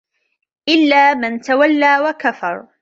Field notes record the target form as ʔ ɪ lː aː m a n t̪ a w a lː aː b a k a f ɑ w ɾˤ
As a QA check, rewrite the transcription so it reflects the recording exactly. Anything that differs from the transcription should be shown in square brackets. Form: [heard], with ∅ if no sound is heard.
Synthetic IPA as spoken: ʔ ɪ lː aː m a n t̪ a w a lː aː [w] a k a f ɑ [∅] ɾˤ